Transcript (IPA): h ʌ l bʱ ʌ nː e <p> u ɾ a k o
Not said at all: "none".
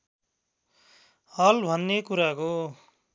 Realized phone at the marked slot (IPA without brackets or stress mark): k